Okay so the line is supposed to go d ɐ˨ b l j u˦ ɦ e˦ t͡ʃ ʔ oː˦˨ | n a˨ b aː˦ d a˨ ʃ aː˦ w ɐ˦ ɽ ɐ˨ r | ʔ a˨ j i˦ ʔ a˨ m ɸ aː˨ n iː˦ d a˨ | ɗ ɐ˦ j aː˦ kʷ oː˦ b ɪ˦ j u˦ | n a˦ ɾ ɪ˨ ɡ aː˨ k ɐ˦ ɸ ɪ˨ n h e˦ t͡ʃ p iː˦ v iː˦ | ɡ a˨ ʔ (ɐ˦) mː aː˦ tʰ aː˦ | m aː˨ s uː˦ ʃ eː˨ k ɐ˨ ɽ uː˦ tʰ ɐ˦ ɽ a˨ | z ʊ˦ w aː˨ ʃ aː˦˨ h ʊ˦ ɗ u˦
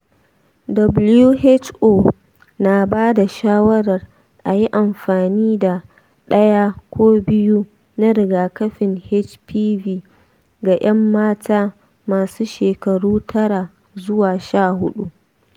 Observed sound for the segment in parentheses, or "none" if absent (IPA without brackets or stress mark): ɐ˦